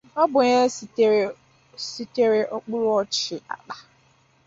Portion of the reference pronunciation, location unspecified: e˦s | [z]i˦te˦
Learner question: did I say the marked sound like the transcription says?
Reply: no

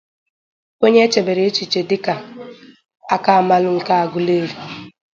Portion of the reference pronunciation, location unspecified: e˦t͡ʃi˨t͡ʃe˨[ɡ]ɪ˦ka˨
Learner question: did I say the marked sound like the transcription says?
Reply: no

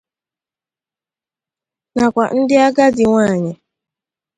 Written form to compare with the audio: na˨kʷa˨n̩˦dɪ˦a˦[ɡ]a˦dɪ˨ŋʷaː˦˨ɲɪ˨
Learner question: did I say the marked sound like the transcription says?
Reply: yes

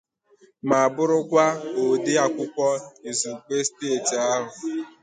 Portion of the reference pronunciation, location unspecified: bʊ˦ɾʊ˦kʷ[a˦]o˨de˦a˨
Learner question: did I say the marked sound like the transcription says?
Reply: yes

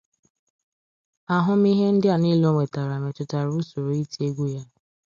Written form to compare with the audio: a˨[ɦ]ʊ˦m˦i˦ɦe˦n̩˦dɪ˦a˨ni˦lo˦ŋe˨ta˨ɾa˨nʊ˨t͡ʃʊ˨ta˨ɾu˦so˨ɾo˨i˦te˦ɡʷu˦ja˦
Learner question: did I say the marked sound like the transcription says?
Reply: yes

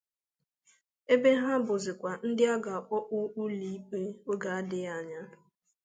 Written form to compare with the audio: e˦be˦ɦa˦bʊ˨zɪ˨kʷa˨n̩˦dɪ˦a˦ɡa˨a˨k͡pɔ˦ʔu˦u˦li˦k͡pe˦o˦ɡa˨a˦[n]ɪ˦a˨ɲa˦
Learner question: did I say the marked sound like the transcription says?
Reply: no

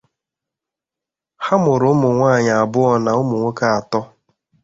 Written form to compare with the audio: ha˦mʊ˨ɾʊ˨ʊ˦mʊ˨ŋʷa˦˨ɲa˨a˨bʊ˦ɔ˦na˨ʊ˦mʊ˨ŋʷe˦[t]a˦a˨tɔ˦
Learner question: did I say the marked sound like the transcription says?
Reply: no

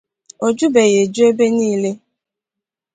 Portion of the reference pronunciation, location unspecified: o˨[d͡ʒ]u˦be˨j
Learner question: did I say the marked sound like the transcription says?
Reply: yes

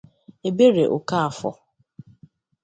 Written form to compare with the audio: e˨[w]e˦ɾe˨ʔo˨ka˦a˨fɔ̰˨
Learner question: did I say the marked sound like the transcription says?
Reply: no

